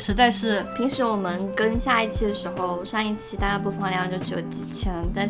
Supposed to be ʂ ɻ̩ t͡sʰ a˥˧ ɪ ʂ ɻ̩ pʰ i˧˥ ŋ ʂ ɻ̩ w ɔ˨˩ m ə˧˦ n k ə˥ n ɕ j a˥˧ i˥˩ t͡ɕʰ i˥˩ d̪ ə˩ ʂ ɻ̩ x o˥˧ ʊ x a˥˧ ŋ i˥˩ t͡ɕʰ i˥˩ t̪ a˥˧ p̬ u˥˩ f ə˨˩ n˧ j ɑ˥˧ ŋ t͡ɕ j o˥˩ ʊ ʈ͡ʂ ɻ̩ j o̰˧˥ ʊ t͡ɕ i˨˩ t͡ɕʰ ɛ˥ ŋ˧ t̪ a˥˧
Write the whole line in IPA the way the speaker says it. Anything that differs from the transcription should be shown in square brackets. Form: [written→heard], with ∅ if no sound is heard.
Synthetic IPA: ʂ ɻ̩ [t͡sʰ→t͡s] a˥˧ ɪ ʂ ɻ̩ pʰ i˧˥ ŋ ʂ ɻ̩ w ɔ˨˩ m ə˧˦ n k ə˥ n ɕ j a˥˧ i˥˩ t͡ɕʰ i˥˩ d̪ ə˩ ʂ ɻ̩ x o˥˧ ʊ [x→ʂ] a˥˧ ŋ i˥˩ t͡ɕʰ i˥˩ t̪ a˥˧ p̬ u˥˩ f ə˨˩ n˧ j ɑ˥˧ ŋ t͡ɕ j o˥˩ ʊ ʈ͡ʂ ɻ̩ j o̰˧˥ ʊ t͡ɕ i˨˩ t͡ɕʰ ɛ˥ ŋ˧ t̪ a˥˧